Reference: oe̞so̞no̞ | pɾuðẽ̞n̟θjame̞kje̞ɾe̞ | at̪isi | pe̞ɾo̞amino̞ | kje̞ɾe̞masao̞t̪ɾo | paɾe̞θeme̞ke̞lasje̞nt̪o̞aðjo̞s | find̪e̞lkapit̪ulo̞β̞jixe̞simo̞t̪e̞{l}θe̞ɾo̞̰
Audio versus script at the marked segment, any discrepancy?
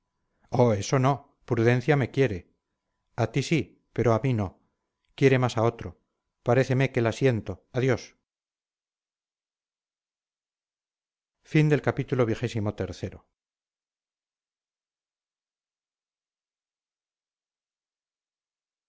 yes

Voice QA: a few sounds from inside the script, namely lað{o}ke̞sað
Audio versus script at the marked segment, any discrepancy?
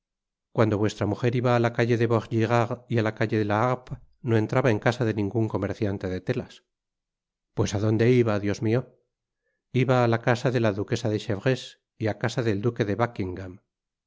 yes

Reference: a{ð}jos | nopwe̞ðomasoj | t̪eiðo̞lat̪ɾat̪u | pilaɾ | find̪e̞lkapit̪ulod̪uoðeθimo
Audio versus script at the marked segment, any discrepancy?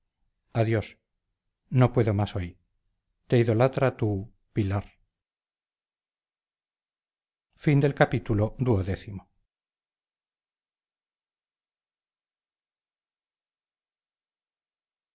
no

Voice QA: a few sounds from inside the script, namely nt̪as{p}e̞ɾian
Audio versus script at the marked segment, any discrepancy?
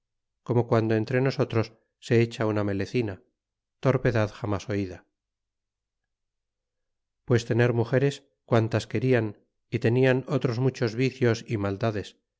yes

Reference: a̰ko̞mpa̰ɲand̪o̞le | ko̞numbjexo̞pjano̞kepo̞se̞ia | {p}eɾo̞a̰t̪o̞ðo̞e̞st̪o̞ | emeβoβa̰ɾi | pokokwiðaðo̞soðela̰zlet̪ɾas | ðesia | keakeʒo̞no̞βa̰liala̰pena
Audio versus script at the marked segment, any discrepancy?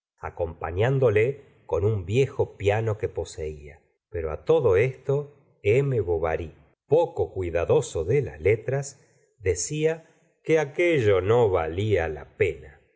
no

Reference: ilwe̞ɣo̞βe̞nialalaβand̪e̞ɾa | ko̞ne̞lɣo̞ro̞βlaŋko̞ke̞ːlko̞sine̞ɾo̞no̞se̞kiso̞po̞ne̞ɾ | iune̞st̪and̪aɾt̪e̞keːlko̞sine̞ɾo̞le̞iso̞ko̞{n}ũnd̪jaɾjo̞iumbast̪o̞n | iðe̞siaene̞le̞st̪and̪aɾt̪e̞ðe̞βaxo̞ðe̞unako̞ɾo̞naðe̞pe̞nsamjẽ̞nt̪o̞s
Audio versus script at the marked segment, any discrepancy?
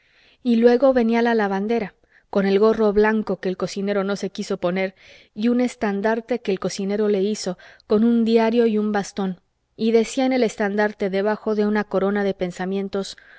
no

